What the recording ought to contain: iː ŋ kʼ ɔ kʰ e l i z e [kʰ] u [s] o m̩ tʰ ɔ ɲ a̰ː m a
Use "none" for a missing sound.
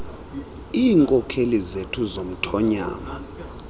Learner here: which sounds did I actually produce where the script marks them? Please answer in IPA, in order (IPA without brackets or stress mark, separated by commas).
tʰ, z